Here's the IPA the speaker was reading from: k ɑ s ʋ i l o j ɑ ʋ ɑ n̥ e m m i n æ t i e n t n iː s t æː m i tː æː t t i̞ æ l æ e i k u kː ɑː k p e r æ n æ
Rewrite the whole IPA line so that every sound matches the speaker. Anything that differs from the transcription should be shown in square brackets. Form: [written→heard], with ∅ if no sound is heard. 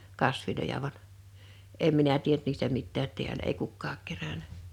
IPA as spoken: k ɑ s ʋ i l o j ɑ ʋ ɑ n̥ e m m i n æ t i e n t n iː s t [æː→æ] m i tː æː t t i̞ æ l æ e i k u kː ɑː k [p→k] e r æ n æ